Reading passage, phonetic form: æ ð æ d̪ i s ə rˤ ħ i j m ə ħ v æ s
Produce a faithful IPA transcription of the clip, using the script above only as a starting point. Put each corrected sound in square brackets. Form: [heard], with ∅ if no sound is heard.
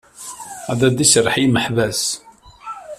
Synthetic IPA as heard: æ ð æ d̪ i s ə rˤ ħ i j m ə ħ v æ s